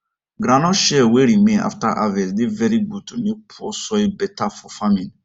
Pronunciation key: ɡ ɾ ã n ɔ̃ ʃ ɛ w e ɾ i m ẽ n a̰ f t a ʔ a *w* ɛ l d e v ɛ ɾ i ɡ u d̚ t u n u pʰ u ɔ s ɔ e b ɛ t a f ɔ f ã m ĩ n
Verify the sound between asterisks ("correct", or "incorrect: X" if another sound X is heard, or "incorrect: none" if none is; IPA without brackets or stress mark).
incorrect: v